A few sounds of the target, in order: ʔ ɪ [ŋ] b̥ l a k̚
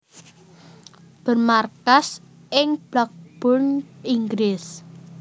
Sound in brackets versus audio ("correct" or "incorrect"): correct